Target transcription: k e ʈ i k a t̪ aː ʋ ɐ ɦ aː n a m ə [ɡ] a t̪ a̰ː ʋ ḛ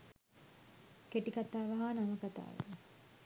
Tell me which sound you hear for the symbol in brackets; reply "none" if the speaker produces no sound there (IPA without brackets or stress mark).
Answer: k